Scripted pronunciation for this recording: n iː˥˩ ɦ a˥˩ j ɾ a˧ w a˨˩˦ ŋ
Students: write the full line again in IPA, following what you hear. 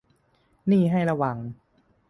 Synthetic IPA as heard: n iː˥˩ ɦ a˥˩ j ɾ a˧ w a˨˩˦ ŋ